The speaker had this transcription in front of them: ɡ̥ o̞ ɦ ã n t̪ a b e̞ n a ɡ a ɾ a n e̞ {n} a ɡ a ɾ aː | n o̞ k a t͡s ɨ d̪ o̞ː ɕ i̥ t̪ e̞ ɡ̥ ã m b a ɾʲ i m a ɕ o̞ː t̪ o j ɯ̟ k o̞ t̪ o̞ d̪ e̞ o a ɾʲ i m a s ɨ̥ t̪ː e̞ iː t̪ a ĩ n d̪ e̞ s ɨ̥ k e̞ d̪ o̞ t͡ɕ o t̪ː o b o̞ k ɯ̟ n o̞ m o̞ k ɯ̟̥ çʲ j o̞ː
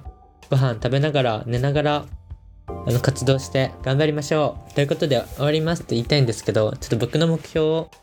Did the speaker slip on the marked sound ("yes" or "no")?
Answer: no